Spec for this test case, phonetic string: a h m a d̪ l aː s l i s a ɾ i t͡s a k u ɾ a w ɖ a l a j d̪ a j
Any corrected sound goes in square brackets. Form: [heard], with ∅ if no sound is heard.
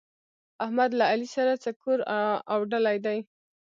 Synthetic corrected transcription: a h m a d̪ l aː [∅] l i s a ɾ [a] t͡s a k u ɾ a w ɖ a l a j d̪ a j